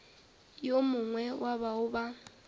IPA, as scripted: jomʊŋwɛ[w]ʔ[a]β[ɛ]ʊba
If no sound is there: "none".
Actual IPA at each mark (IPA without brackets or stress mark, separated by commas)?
w, a, a